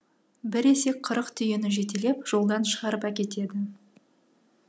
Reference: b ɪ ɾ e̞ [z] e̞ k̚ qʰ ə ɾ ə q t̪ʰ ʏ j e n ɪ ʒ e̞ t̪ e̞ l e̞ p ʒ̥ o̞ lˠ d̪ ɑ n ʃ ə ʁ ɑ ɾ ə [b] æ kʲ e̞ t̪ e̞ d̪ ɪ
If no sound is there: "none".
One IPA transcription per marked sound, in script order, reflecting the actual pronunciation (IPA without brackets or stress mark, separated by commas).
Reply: s, p